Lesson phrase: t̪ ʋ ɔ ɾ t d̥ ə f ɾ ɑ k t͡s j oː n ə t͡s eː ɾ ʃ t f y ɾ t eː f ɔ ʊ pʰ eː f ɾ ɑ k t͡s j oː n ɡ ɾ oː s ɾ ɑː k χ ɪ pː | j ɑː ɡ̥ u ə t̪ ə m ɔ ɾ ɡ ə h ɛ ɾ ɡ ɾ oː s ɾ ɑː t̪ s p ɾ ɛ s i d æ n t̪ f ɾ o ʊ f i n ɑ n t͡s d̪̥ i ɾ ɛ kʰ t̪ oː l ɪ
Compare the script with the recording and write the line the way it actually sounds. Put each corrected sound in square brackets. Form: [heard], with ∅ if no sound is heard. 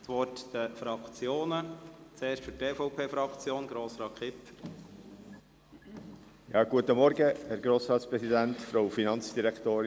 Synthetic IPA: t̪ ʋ ɔ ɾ t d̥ ə f ɾ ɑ k t͡s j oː n ə t͡s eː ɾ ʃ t f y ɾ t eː f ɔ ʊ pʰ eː f ɾ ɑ k t͡s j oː n ɡ ɾ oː s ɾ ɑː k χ ɪ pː | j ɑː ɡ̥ u ə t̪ ə m ɔ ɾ ɡ ə h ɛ ɾ ɡ ɾ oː s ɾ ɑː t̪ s p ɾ ɛ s i d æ n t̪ f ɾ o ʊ f i n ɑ n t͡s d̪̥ i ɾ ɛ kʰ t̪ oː [ɾ] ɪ

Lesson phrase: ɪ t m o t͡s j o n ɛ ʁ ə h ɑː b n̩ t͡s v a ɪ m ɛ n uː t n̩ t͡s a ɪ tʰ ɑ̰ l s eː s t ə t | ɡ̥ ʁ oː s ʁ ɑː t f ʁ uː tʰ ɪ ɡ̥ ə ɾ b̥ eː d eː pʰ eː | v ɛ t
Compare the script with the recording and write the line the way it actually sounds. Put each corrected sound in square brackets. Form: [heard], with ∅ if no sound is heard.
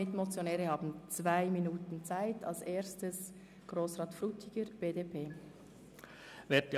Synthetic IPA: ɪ t m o t͡s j o n [ɛː] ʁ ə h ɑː b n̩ t͡s v a ɪ m [i] n uː t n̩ t͡s a ɪ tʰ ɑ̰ l s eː s t ə [s] | ɡ̥ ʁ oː s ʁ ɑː t f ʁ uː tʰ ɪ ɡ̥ ə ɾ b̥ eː d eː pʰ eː | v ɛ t

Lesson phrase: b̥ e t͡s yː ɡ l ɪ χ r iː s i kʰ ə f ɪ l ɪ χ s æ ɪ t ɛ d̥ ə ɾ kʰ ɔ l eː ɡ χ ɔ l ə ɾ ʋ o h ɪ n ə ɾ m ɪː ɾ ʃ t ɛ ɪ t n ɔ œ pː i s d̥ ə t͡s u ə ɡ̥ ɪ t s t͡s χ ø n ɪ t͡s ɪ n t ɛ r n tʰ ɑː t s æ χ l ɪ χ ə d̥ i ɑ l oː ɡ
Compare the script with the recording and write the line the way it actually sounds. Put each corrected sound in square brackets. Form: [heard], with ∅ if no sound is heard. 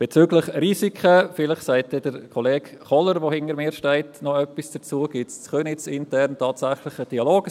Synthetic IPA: b̥ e t͡s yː ɡ l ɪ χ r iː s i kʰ ə f ɪ l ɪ χ s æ ɪ t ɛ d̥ ə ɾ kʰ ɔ l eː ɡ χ ɔ l ə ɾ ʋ o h ɪ n ə ɾ m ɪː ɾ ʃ t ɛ ɪ t n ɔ œ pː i s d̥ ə t͡s u ə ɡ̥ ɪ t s t͡s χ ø n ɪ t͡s ɪ n t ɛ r n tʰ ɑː t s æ χ l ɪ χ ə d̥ i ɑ l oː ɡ

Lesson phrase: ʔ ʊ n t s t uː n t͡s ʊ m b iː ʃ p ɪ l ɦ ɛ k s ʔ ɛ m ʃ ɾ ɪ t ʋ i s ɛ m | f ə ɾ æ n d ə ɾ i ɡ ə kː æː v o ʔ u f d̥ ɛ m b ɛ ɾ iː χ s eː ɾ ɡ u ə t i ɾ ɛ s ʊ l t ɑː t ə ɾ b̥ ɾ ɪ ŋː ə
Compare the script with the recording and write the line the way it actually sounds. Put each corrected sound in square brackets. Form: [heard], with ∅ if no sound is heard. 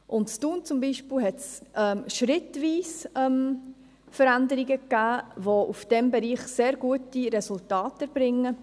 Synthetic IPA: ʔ ʊ n t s t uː n t͡s ʊ m b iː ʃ p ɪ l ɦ ɛ [t] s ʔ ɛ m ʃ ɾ ɪ t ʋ [iː] s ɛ m | f ə ɾ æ n d ə ɾ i ɡ ə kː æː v o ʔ u f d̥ ɛ m b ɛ ɾ iː χ s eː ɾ ɡ u ə t i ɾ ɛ s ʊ l t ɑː t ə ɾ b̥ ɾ ɪ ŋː ə

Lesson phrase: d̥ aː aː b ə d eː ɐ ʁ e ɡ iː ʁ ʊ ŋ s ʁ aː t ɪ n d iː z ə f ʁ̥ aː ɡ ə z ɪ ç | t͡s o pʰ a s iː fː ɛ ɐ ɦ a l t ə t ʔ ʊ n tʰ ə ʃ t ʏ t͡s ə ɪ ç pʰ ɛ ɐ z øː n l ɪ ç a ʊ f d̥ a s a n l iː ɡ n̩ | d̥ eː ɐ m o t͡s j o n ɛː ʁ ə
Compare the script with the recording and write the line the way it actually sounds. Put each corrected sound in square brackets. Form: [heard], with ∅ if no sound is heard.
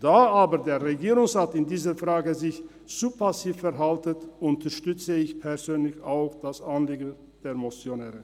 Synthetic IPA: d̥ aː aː b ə d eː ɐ ʁ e ɡ iː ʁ ʊ ŋ s ʁ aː t ɪ n d iː z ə f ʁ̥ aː ɡ ə z ɪ ç | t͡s [u] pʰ a s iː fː ɛ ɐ ɦ a l t ə t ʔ ʊ n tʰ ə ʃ t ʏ t͡s ə ɪ ç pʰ ɛ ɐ z øː n l ɪ ç a ʊ [x] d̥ a s a n l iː ɡ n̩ | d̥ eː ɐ m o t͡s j o n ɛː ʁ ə

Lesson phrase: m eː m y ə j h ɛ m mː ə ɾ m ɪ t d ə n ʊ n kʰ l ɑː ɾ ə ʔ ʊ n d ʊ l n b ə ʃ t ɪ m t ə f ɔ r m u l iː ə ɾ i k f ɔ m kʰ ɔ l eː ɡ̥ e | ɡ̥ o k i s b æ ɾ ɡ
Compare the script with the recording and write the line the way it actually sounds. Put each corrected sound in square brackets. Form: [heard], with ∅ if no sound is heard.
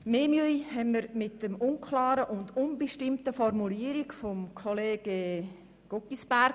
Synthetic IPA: m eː m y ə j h ɛ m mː ə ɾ m ɪ t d ə [m] ʊ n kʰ l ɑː ɾ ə ʔ ʊ n d ʊ [∅] n b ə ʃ t ɪ m t ə f ɔ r m u l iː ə ɾ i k f ɔ m kʰ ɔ l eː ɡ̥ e | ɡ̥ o k i s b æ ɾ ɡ

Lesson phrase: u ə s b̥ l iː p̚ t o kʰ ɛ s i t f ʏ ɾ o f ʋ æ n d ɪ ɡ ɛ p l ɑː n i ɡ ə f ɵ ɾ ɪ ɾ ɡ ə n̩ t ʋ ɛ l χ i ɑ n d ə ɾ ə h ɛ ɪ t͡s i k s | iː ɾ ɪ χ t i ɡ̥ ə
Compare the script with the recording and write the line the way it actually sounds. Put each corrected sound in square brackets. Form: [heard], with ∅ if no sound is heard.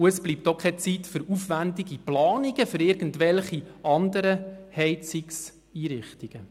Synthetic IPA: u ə s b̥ l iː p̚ t o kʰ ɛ [t͡s] i t f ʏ ɾ [u] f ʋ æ n d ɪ ɡ [i] p l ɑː n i ɡ ə f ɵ ɾ ɪ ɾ ɡ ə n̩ t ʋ ɛ l χ i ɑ n d ə ɾ ə h ɛ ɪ t͡s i k s | iː ɾ ɪ χ t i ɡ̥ ə

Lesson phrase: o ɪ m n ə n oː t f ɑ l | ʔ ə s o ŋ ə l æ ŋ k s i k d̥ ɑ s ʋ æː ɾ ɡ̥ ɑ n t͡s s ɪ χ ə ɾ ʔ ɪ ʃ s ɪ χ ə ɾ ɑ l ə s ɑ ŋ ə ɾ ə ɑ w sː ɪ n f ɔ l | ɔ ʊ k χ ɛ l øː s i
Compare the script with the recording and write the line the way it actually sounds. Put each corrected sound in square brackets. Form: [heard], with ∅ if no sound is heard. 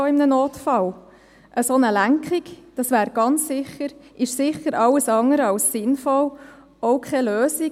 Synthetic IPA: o ɪ m n ə n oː t f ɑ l | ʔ ə s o [n] ə l æ ŋ k [χ] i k d̥ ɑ s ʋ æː ɾ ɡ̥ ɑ n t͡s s ɪ χ ə ɾ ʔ ɪ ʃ s ɪ χ ə ɾ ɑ l ə s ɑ ŋ ə ɾ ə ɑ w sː ɪ n f ɔ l | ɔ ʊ k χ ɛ l øː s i

